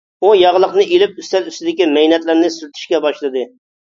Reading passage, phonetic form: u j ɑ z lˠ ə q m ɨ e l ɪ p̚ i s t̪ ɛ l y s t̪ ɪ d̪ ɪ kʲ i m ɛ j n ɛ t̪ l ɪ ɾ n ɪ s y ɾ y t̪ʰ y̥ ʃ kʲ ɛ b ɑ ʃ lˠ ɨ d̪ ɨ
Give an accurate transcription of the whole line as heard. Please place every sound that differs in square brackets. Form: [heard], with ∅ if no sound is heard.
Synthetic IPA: u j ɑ [ʁ] lˠ ə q [n] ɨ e l ɪ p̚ [y] s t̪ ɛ l y s t̪ ɪ d̪ ɪ kʲ i m ɛ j n ɛ t̪ l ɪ ɾ n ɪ s y ɾ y t̪ʰ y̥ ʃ kʲ ɛ b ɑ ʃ lˠ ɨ d̪ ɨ